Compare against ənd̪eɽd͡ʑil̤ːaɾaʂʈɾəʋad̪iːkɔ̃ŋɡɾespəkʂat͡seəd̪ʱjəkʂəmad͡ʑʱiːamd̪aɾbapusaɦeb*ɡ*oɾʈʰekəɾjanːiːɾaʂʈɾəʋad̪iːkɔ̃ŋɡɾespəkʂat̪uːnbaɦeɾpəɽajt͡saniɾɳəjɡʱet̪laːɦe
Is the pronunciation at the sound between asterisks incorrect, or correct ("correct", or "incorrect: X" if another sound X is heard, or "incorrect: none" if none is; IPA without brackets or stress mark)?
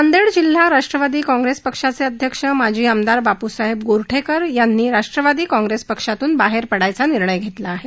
correct